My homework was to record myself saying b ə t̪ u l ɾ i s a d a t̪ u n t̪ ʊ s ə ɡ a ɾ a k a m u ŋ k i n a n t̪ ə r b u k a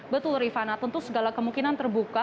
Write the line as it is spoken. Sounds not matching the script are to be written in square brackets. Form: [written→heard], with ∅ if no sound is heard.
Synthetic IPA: b ə t̪ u l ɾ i [s→f] a [d→n] a t̪ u n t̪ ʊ s ə ɡ a [ɾ→l] a k [a→ə] m u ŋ k i n a n t̪ ə r b u k a